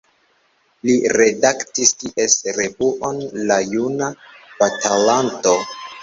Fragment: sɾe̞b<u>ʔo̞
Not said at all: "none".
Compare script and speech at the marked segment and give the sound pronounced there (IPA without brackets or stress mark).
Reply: u